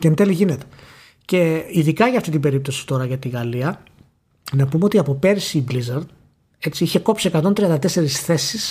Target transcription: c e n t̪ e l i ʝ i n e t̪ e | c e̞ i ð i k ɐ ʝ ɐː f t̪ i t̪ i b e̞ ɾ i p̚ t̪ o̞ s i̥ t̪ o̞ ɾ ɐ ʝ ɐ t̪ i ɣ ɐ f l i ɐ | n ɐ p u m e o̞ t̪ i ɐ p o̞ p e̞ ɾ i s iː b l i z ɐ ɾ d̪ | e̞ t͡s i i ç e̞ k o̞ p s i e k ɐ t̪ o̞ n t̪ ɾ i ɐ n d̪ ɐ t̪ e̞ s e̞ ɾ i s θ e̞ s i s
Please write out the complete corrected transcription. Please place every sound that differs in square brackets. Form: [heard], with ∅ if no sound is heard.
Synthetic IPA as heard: c e n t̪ e l i ʝ i n e t̪ e | c e̞ i ð i k ɐ ʝ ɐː f t̪ i t̪ i b e̞ ɾ i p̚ t̪ o̞ s i̥ t̪ o̞ ɾ ɐ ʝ ɐ t̪ i ɣ ɐ [∅] l i ɐ | n ɐ p u m e o̞ t̪ i ɐ p o̞ p e̞ ɾ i s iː b l i z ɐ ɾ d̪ | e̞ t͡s i i ç e̞ k o̞ p s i e k ɐ t̪ o̞ n t̪ ɾ i ɐ n d̪ ɐ t̪ e̞ s e̞ ɾ i s θ e̞ s i s